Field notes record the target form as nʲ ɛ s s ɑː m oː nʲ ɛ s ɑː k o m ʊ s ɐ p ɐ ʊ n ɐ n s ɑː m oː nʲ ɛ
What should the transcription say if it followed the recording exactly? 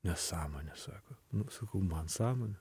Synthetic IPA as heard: nʲ ɛ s s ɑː m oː nʲ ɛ s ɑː k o n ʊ s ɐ k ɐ ʊ m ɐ n s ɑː m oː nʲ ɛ